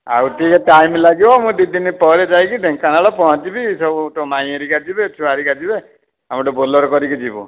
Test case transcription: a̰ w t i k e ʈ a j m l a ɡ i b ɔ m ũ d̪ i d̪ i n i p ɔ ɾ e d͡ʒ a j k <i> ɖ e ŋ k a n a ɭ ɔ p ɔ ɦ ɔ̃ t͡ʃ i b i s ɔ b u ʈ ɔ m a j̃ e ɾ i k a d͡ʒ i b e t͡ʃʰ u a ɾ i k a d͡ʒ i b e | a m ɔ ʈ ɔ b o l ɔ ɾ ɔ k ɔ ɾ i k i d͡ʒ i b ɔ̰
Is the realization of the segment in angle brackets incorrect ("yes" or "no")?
no